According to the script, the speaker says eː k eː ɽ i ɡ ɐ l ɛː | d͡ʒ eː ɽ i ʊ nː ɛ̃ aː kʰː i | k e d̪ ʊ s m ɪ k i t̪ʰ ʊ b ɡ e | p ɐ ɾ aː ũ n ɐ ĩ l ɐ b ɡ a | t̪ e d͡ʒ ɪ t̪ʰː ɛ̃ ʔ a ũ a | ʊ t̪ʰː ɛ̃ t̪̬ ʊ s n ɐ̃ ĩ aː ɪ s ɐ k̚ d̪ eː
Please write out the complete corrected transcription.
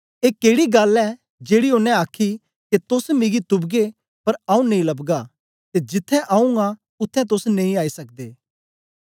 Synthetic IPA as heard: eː k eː ɽ i ɡ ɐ l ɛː | d͡ʒ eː ɽ i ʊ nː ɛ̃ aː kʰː i | k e t̪ ʊ s m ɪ ɡ i t̪ ʊ b ɡ e | p ɐ ɾ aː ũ n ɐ ĩ l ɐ b ɡ a | t̪ e d͡ʒ ɪ t̪ʰː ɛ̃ ʔ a ũ a | ʊ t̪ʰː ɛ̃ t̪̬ ʊ s n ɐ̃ ĩ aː i s ɐ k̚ d̪ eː

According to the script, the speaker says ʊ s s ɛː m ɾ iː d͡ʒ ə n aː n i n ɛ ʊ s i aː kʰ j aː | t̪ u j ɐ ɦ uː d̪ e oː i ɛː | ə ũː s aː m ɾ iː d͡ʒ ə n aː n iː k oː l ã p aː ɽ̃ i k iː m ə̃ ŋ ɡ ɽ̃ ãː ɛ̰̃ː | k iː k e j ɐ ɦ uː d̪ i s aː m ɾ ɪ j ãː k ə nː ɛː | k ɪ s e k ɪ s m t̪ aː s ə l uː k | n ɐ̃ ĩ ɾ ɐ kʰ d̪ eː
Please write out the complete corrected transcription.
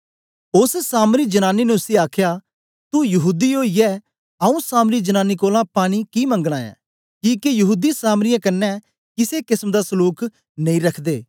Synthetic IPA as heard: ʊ s s aː m ɾ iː d͡ʒ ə n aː n i n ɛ ʊ s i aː kʰ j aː | t̪ u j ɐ ɦ uː d̪ i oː i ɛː | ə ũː s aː m ɾ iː d͡ʒ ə n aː n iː k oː l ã p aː ɽ̃ i k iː m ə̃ ŋ ɡ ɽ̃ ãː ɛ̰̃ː | k iː k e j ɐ ɦ uː d̪ i s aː m ɾ ɪ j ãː k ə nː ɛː | k ɪ s e k ɪ s m d̪ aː s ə l uː k | n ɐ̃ ĩ ɾ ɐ kʰ d̪ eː

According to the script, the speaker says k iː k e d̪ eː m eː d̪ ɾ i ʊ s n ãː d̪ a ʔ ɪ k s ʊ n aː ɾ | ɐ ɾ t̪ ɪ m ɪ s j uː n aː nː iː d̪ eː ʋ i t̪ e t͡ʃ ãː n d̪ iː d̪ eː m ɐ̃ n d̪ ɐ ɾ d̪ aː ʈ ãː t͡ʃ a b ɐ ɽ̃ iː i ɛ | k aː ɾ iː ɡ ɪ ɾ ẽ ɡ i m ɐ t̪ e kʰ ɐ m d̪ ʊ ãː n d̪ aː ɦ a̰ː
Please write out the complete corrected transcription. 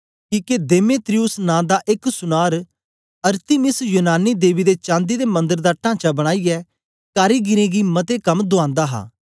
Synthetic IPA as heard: k iː k e d̪ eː m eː t̪ ɾ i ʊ s n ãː d̪ a ʔ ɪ k s ʊ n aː ɾ | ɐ ɾ t̪ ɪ m ɪ s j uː n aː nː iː d̪ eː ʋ i d̪ e t͡ʃ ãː n d̪ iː d̪ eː m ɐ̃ n d̪ ə ɾ d̪ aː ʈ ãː t͡ʃ a b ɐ ɽ̃ aː i ɛ | k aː ɾ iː ɡ ɪ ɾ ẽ ɡ i m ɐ t̪ e k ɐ m d̪ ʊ ãː n d̪ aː ɦ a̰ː

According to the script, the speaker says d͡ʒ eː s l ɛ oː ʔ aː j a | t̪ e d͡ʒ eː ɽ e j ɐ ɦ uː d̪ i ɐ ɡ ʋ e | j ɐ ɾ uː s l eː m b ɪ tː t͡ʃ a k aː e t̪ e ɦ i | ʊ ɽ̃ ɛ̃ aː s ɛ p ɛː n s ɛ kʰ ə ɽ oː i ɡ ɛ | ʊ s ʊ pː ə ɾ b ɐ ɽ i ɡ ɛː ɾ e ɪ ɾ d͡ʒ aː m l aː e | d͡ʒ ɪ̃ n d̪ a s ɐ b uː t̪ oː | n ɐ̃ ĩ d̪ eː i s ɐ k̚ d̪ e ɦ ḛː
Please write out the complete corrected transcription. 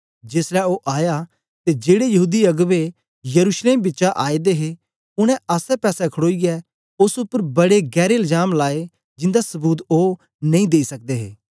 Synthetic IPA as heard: d͡ʒ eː s l ɛ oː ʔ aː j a | t̪ e d͡ʒ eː ɽ e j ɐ ɦ uː d̪ i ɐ ɡ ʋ e | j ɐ ɾ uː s l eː m b ɪ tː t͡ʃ a ʔ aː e d̪ e ɦ e | ʊ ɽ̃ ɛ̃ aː s ɛ p ɛː s ɛ kʰ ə ɽ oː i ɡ ɛ | ʊ s ʊ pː ə ɾ b ɐ ɽ e ɡ ɛː ɾ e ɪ l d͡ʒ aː m l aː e | d͡ʒ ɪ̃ n d̪ a s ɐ b uː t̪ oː | n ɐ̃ ĩ d̪ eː i s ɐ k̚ d̪ e ɦ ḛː

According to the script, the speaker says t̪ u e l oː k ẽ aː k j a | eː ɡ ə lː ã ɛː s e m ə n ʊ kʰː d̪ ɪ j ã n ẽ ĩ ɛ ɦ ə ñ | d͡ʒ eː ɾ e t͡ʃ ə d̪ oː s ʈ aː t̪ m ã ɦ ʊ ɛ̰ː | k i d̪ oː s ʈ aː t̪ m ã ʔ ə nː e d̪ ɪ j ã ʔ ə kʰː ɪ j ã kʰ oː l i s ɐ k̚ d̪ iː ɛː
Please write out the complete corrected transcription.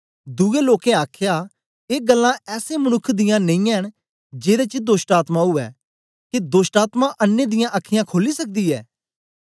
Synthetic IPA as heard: d̪ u e l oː k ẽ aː kʰ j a | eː ɡ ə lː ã ɛː s e m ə n ʊ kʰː d̪ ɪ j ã n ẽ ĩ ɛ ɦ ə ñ | d͡ʒ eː ɾ e t͡ʃ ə d̪ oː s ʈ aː t̪ m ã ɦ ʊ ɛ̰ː | k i d̪ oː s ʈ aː t̪ m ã ʔ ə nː e d̪ ɪ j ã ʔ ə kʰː ɪ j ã kʰ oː l i s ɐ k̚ d̪ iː ɛː

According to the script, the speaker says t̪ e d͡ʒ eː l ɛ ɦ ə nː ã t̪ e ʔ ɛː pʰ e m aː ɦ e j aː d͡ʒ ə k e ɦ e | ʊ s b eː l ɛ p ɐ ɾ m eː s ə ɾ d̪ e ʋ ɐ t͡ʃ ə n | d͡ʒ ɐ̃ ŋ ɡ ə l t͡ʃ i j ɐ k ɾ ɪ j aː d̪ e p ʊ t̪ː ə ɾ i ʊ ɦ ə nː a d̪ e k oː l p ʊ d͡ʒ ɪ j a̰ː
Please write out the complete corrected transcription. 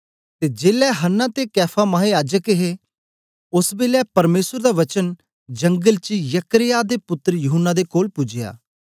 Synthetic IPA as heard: t̪ e d͡ʒ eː l ɛ ɦ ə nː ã t̪ e k ɛː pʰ a m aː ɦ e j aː d͡ʒ ə k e ɦ e | ʊ s b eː l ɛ p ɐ ɾ m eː s ə ɾ d̪ a ʋ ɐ t͡ʃ ə n | d͡ʒ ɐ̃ ŋ ɡ ə l t͡ʃ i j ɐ k ɾ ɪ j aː d̪ e p ʊ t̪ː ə ɾ j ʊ ɦ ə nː a d̪ e k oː l p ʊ d͡ʒ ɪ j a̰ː

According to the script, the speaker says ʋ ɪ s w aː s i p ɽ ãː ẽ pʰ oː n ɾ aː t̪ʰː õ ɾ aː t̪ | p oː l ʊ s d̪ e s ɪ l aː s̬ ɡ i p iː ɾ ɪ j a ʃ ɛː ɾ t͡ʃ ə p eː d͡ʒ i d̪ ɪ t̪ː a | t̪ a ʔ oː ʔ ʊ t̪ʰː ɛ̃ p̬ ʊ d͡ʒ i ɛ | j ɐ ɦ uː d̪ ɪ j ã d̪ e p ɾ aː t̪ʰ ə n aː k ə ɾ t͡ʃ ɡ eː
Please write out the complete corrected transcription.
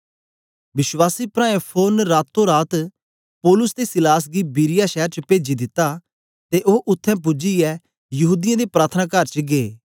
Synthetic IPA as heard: ʋ ɪ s w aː s i p ɾ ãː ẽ pʰ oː n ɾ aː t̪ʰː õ ɾ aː t̪ | p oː l ʊ s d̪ e s ɪ l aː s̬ ɡ i b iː ɾ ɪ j a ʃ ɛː ɾ t͡ʃ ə p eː d͡ʒ i d̪ ɪ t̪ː a | t̪ e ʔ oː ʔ ʊ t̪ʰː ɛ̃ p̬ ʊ d͡ʒ i ɛ | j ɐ ɦ uː d̪ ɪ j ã d̪ e p ɾ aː t̪ʰ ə n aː k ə ɾ t͡ʃ ɡ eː

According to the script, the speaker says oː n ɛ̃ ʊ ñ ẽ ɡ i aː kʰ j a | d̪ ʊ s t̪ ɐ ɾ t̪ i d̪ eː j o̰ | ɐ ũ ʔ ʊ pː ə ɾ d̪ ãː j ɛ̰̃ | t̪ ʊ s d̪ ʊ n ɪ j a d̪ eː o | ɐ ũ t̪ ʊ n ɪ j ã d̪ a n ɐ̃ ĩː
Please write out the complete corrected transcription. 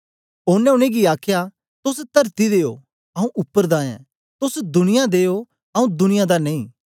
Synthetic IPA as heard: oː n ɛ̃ ʊ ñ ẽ ɡ i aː kʰ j a | t̪ ʊ s t̪ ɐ ɾ t̪ i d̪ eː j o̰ | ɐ ũ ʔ ʊ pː ə ɾ d̪ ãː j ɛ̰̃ | t̪ ʊ s d̪ ʊ n ɪ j a d̪ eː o | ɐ ũ d̪ ʊ n ɪ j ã d̪ a n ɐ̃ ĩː

